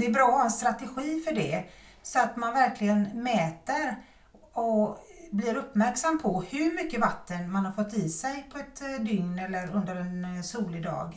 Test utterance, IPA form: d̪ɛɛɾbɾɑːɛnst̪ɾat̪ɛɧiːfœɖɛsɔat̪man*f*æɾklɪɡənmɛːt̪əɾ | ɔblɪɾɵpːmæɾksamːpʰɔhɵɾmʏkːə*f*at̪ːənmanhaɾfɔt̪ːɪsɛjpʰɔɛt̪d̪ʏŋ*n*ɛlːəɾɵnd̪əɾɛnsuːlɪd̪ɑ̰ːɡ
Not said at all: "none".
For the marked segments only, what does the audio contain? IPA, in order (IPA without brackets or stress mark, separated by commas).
v, v, n